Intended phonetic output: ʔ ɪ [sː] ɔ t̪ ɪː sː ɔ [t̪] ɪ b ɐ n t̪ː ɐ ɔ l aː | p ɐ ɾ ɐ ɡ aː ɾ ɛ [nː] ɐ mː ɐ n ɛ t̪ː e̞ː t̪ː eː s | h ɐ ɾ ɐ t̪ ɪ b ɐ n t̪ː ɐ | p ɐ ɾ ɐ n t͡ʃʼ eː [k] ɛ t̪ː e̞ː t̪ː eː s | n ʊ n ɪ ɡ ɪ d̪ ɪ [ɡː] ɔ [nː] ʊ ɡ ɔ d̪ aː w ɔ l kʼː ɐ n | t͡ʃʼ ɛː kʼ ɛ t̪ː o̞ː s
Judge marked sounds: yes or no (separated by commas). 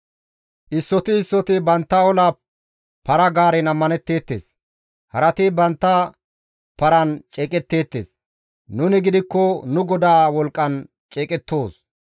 yes, yes, no, no, no, no